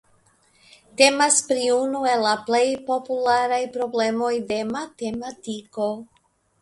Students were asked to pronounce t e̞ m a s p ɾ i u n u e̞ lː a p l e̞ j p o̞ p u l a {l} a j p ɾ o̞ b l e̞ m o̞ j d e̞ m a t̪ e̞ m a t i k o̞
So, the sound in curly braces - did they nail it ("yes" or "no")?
no